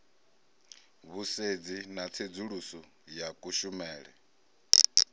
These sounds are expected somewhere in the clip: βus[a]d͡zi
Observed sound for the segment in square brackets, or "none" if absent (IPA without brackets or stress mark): e